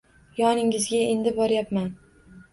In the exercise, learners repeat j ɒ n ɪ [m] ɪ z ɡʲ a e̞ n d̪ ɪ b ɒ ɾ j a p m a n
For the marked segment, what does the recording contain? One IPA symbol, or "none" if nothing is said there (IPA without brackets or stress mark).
ŋ